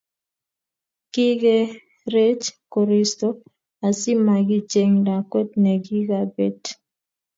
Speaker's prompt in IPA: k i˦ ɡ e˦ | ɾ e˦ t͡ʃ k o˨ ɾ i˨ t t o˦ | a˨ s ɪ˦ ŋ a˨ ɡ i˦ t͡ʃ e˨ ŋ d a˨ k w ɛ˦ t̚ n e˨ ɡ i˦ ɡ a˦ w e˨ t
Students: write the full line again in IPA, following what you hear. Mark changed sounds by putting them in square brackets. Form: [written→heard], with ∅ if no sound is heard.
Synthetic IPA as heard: k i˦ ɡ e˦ | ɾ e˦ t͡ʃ k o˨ ɾ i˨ [t→s] t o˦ | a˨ s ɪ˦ [ŋ→m] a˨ ɡ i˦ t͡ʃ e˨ ŋ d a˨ k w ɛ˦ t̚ n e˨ ɡ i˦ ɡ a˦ [w→b] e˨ t

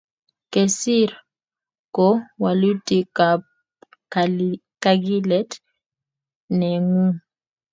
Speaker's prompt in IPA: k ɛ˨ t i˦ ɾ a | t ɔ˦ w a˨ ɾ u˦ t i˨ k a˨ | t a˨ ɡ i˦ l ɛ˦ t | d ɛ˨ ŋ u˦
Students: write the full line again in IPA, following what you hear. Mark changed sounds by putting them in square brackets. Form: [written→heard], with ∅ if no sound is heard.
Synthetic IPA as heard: k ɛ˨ [t→s] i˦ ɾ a | [t→k] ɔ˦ w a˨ [ɾ→l] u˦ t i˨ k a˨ | [t→k] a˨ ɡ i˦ l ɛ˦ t | [d→n] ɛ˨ ŋ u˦

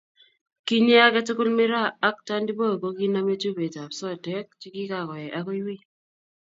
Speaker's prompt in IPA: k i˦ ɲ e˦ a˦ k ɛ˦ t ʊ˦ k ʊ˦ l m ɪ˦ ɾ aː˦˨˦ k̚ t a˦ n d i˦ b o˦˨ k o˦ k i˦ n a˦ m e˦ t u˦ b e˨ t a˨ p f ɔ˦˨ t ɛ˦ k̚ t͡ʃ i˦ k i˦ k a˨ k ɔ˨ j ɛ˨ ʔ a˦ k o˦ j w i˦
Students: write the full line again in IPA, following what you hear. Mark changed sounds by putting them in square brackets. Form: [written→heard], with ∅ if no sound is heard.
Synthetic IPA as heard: k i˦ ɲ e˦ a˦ k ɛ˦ t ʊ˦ k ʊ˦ l m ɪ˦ ɾ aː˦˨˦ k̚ t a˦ n d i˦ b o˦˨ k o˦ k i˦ n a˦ m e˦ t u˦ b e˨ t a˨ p [f→s] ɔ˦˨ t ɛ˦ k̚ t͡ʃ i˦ k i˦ k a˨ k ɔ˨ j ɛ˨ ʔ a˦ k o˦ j w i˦

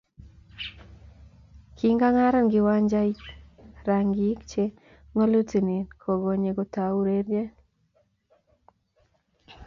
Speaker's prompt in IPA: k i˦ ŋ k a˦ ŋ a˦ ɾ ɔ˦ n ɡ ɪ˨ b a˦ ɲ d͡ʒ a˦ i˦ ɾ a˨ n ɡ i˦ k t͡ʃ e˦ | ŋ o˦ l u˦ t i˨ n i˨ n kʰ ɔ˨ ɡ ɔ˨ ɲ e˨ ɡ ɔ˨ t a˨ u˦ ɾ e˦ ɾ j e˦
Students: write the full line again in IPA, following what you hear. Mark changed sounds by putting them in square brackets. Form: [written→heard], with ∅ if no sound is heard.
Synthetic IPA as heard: k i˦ ŋ [k→ɡ] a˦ ŋ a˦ ɾ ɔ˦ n ɡ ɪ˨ [b→w] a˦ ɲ d͡ʒ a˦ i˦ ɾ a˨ [n→ŋ] ɡ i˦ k t͡ʃ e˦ | ŋ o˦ l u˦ t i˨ n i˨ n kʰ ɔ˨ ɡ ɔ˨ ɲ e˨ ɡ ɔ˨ t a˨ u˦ ɾ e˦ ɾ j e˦

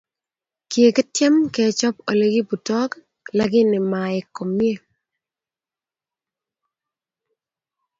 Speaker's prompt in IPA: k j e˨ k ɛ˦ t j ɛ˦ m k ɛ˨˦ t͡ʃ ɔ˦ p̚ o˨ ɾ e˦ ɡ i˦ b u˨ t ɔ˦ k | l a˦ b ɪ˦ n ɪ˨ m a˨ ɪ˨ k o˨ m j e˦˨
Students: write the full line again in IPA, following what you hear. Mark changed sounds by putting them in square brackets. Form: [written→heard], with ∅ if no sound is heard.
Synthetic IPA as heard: k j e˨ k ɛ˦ t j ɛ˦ m k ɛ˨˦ t͡ʃ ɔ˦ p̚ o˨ [ɾ→l] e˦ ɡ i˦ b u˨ t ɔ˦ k | l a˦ [b→ɡ] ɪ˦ n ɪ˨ m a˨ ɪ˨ k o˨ m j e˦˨

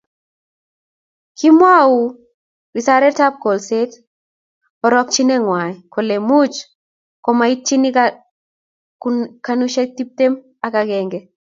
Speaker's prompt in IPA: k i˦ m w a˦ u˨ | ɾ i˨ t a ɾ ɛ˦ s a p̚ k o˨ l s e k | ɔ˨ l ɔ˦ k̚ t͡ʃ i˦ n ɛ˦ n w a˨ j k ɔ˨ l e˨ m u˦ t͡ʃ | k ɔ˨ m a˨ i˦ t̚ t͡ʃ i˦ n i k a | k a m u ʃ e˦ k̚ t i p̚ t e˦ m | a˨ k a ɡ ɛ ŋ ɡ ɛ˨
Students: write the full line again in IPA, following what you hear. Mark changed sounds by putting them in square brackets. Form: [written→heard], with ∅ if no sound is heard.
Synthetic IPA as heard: k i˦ m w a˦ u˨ | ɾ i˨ [t→s] a ɾ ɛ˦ [s→t] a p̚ k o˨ l s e [k→t] | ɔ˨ [l→ɾ] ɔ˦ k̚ t͡ʃ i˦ n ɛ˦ [n→ŋ] w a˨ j k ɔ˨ l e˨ m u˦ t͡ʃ | k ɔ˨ m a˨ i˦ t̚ t͡ʃ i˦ n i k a | k a [m→n] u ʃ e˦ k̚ t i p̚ t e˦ m | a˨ k a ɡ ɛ ŋ ɡ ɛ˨

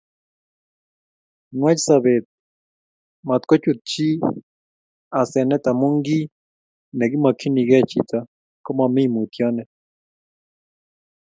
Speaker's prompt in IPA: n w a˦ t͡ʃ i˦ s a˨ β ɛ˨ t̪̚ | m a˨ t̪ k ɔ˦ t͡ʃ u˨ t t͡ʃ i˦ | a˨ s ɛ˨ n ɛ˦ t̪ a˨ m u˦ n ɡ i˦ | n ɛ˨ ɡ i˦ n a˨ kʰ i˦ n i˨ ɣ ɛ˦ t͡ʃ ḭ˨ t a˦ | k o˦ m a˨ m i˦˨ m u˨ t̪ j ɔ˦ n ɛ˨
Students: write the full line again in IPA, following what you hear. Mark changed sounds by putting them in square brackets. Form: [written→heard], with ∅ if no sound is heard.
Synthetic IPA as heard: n w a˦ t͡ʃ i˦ s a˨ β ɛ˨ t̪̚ | m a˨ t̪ k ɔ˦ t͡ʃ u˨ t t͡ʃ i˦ | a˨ s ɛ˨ n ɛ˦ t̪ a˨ m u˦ [n→ŋ] ɡ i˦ | n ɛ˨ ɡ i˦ [n→m] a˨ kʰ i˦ n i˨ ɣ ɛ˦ t͡ʃ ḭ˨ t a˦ | k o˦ m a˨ m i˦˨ m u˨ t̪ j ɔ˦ n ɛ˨

